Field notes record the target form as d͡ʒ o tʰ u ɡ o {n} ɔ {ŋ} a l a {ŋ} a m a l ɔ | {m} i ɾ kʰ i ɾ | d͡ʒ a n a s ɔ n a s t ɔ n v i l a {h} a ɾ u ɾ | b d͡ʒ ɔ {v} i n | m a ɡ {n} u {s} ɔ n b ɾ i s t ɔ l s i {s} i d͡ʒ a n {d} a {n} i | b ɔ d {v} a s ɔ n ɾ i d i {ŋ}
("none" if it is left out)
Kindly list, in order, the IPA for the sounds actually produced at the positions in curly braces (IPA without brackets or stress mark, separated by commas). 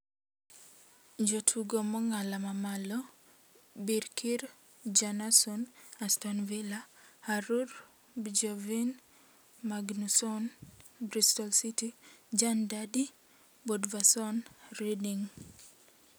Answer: m, ŋ, m, b, h, v, n, s, t, d, d, v, ŋ